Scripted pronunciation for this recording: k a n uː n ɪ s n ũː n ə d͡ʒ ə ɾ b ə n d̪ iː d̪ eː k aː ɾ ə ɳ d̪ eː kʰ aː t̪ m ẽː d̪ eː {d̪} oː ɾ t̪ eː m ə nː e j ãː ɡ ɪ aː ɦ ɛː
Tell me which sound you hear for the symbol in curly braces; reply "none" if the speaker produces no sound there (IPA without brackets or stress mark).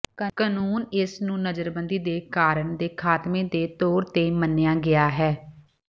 t̪